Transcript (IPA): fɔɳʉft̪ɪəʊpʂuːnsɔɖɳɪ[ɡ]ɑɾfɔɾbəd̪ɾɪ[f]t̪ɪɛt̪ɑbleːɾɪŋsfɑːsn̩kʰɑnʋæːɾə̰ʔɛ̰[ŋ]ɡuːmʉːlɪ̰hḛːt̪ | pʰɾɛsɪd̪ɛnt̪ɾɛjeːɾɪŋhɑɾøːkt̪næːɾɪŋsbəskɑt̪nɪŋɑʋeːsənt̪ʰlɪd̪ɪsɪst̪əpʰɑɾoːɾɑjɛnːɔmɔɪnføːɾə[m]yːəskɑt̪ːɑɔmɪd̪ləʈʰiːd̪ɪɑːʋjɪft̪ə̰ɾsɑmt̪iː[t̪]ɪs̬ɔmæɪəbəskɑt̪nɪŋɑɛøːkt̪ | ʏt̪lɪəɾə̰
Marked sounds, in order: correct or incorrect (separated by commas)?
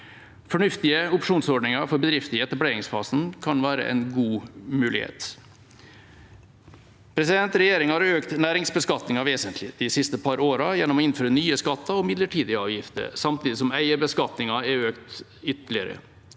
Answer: incorrect, correct, incorrect, incorrect, incorrect